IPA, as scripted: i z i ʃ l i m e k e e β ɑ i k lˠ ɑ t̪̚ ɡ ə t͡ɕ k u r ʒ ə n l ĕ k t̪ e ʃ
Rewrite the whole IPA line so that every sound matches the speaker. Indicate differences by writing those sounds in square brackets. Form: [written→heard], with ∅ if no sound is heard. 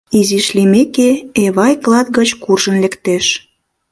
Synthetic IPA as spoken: i z i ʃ l i m e k e e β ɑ [i→j] k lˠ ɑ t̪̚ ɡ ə t͡ɕ k u r ʒ ə n l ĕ k t̪ e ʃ